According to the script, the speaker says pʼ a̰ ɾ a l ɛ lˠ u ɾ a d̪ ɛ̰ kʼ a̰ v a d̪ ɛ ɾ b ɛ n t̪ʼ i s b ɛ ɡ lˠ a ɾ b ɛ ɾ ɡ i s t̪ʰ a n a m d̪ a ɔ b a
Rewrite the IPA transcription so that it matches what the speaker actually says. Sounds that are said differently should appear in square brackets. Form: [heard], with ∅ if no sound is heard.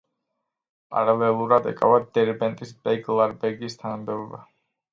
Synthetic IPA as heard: pʼ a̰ ɾ a l ɛ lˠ u ɾ a d̪ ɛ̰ kʼ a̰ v a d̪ ɛ ɾ b ɛ n t̪ʼ i s b ɛ ɡ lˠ a ɾ b ɛ ɾ ɡ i s t̪ʰ a n a m d̪ [ɛ] ɔ b a